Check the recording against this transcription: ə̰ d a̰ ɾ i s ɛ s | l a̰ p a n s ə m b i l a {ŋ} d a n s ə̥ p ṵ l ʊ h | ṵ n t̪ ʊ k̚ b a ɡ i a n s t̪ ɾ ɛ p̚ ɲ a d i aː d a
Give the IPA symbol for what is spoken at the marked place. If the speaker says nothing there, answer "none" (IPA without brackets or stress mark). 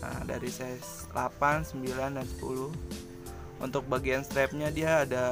n